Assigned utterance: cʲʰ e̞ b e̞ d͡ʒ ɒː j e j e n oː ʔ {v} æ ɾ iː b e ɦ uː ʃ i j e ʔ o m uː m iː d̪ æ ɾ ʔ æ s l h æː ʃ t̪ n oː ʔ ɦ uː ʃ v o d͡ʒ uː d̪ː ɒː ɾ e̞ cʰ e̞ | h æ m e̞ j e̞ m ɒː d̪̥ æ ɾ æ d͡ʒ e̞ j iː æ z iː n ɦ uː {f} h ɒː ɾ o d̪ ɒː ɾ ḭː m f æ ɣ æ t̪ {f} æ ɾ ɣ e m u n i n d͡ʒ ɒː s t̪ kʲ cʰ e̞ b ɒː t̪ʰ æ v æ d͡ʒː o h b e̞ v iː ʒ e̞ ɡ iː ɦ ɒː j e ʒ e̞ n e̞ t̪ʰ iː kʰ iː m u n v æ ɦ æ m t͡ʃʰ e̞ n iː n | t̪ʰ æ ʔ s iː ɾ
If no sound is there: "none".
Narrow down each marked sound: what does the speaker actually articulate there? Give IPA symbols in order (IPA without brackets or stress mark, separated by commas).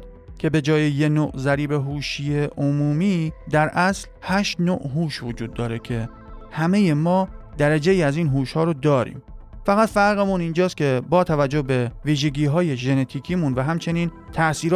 z, ʃ, f